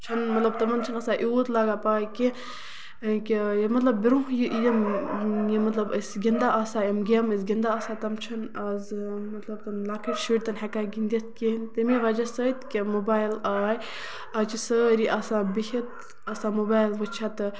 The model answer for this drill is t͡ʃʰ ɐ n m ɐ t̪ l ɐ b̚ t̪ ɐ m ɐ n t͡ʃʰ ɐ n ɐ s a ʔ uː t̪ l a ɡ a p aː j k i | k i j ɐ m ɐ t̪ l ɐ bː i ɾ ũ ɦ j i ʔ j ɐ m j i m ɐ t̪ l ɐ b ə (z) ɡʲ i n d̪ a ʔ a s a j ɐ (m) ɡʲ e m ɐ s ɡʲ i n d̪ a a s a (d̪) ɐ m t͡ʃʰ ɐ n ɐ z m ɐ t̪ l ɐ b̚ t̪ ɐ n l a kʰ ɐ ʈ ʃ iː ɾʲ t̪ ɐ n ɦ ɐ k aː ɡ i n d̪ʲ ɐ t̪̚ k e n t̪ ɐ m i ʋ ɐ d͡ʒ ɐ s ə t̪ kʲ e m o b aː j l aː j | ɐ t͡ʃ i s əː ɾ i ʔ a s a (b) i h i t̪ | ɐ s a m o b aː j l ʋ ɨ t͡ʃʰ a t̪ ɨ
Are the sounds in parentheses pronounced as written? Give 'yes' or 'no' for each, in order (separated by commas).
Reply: no, yes, no, yes